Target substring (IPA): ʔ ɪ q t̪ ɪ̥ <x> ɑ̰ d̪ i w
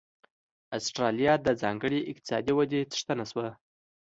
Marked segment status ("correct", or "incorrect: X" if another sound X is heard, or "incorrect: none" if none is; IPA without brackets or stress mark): incorrect: s